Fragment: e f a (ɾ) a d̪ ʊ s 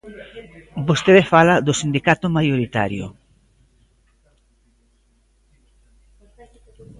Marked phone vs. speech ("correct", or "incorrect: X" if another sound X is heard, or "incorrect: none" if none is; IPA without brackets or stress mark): incorrect: l